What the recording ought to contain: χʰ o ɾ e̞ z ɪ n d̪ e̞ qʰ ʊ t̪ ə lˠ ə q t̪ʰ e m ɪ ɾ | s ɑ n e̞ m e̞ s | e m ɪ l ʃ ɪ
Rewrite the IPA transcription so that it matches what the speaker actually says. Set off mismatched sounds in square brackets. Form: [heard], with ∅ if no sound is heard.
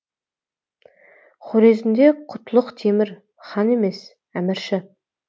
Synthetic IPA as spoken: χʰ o ɾ e̞ z ɪ n d̪ e̞ qʰ ʊ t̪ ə lˠ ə q t̪ʰ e m ɪ ɾ | [χ] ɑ n e̞ m e̞ s | [æ] m ɪ [ɾ] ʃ ɪ

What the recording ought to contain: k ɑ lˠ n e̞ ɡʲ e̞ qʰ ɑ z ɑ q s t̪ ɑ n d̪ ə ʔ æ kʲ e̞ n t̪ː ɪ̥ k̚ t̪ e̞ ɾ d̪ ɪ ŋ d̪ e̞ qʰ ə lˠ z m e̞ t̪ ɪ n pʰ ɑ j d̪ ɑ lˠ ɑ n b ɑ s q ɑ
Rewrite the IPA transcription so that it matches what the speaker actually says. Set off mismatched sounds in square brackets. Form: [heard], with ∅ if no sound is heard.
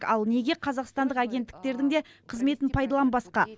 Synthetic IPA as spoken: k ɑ lˠ n e̞ ɡʲ e̞ qʰ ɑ z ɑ q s t̪ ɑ n d̪ ə [q] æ [ɡʲ] e̞ n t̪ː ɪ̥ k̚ t̪ e̞ ɾ d̪ ɪ ŋ d̪ e̞ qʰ ə [∅] z m e̞ t̪ ɪ n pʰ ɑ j d̪ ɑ lˠ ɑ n b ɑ s q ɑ

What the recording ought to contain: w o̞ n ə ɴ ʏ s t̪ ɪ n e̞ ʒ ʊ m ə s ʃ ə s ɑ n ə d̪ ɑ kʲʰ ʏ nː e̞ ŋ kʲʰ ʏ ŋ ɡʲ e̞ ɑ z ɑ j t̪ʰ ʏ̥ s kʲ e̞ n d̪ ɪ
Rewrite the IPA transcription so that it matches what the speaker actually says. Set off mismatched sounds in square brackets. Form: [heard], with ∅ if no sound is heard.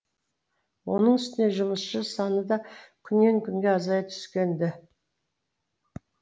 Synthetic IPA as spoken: w o̞ n ə ɴ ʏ s t̪ ɪ n e̞ ʒ ʊ m ə s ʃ ə s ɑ n ə d̪ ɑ kʲʰ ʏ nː e̞ ŋ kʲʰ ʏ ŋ ɡʲ e̞ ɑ z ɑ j t̪ʰ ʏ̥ s kʲ e̞ n d̪ ɪ

